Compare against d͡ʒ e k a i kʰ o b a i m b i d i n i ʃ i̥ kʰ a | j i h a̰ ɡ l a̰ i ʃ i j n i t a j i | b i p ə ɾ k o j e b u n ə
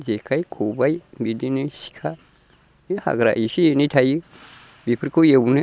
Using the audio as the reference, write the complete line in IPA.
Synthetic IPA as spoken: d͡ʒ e k a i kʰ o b a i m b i d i n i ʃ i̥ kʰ a | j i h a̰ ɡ ɾ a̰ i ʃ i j n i t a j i | b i p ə ɾ k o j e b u n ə